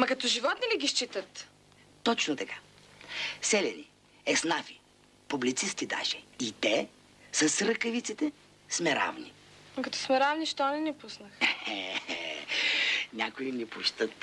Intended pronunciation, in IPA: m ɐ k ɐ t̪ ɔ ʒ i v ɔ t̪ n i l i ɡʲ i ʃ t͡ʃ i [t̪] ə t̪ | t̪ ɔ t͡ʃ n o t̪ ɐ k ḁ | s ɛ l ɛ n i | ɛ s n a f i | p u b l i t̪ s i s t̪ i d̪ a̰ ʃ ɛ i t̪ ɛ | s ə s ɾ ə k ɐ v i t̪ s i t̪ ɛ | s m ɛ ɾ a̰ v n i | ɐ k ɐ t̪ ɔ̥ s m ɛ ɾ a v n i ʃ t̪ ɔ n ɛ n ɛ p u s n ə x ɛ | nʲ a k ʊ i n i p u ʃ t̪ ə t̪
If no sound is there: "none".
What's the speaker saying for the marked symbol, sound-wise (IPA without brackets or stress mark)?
t̪